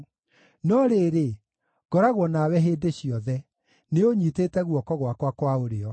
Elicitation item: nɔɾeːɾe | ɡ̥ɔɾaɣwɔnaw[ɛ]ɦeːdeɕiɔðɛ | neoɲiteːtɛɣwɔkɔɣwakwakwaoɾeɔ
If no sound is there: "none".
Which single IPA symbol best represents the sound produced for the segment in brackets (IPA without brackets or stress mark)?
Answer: ɛ